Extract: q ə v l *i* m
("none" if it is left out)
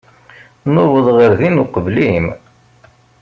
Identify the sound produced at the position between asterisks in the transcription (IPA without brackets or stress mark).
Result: i